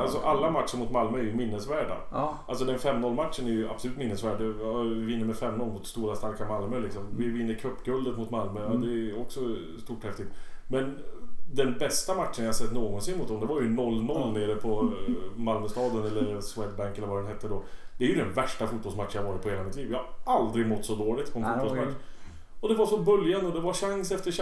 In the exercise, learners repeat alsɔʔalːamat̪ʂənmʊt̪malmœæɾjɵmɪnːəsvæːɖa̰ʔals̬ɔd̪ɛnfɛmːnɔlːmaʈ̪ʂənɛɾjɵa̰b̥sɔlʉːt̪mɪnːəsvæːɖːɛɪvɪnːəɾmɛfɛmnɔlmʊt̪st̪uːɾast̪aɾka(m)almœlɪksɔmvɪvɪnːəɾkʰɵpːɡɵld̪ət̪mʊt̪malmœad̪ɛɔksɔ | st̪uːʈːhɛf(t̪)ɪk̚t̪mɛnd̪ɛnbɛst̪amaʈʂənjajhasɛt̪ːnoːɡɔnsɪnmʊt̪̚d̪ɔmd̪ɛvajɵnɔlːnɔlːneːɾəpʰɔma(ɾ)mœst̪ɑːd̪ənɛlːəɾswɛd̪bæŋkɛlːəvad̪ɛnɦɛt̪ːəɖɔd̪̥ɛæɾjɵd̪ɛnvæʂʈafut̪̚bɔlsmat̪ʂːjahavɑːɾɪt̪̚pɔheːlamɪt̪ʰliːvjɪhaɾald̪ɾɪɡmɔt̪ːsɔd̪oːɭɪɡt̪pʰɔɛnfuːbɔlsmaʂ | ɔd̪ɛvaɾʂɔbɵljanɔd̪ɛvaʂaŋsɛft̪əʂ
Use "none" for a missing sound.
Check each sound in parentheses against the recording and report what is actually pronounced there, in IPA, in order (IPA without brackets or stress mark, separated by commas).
m, t̪, l